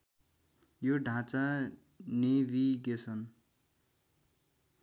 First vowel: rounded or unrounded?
rounded